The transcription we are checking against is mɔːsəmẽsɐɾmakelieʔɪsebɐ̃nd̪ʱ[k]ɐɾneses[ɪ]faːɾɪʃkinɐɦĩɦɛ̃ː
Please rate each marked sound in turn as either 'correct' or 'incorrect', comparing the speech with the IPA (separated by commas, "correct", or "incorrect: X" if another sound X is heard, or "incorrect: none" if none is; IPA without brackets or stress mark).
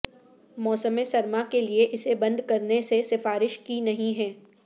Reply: correct, correct